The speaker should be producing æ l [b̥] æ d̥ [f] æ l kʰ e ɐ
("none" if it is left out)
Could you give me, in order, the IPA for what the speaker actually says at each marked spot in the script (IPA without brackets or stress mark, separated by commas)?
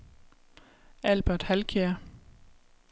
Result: b̥, h